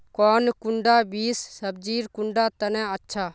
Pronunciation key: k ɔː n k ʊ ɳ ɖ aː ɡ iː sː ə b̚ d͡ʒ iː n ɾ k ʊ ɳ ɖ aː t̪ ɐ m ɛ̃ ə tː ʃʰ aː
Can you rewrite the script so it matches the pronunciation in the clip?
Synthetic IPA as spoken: k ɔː n k ʊ ɳ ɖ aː b iː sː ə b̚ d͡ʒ iː ɾ k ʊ ɳ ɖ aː t̪ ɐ n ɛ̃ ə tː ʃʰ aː